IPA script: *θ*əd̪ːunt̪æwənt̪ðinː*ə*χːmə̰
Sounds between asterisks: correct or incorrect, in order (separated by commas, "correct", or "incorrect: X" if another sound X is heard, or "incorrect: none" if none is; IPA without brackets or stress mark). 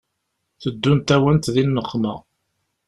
correct, correct